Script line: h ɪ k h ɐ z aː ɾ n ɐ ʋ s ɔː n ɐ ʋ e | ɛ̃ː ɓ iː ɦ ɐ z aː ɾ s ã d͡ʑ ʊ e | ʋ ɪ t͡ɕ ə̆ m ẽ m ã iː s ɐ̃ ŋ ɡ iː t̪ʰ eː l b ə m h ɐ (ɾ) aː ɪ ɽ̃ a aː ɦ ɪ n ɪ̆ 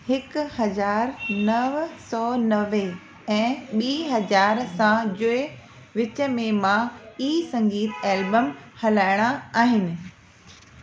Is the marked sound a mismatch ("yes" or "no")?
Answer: yes